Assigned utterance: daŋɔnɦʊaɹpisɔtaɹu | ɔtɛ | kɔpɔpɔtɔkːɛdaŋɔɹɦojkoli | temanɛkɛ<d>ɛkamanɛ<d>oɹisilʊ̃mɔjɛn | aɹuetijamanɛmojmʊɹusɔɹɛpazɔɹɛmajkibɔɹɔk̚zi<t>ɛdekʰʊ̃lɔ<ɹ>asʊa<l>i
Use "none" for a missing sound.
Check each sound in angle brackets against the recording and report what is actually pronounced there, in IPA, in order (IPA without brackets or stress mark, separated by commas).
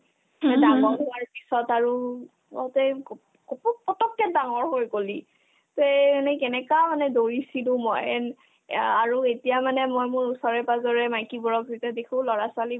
n, d, t, ɹ, l